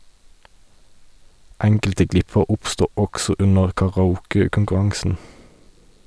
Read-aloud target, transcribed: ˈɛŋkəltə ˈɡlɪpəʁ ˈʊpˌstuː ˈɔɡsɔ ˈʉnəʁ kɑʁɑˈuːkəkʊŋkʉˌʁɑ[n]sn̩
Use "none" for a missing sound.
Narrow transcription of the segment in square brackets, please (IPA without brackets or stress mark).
ŋ